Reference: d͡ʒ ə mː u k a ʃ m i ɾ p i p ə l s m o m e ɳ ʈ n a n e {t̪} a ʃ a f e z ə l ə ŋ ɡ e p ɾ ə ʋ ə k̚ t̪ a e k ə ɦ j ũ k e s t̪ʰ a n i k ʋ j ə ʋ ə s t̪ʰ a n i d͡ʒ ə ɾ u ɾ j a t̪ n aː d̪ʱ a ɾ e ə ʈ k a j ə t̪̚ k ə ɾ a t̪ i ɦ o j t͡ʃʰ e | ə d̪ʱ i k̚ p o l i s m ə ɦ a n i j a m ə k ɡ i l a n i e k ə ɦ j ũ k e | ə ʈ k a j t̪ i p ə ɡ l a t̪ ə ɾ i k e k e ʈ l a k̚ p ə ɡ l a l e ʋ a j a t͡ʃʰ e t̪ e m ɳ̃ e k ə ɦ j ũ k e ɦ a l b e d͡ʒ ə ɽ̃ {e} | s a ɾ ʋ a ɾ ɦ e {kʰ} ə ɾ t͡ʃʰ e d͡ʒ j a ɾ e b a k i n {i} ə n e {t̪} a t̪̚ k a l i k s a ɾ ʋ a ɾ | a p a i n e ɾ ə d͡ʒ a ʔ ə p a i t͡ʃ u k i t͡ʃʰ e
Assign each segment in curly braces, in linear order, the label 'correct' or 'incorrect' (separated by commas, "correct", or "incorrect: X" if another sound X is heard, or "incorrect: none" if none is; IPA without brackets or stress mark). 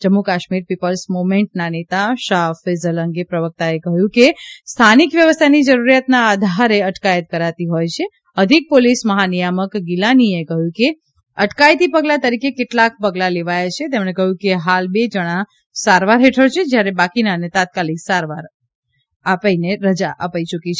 correct, incorrect: a, incorrect: ʈʰ, incorrect: a, correct